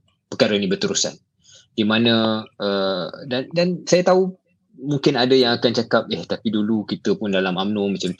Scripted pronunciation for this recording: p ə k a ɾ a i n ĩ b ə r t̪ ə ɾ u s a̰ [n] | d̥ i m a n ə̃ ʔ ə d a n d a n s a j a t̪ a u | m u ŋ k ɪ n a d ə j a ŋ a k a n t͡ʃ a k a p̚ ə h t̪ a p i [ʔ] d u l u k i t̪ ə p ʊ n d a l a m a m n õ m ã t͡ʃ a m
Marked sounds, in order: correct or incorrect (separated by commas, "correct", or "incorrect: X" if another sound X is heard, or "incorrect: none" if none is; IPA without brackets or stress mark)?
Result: correct, incorrect: none